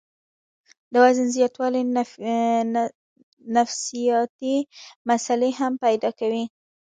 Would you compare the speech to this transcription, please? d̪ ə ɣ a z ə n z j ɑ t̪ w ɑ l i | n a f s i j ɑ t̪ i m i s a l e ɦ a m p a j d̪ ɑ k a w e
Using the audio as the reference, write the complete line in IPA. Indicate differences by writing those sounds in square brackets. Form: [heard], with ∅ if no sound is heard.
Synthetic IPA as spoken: d̪ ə [w] a z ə n z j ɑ t̪ w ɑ l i | n a f s i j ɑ t̪ i m [a] s a l e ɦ a m p a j d̪ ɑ k a w [i]